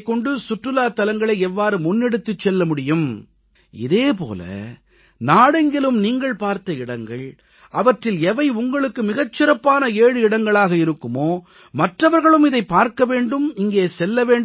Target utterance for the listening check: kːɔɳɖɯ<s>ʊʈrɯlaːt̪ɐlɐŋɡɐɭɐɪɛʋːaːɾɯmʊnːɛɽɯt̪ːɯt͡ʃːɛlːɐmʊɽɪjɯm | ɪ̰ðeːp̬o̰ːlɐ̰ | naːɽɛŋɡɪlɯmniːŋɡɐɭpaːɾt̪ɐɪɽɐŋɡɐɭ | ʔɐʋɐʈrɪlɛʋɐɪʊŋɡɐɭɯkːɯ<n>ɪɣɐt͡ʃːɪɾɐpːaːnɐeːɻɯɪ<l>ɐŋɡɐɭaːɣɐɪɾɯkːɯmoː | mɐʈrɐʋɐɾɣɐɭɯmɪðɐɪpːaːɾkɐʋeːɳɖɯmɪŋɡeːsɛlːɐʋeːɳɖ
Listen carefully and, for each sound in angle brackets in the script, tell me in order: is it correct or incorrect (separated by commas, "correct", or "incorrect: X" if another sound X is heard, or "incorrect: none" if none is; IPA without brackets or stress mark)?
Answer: correct, incorrect: m, incorrect: ɽ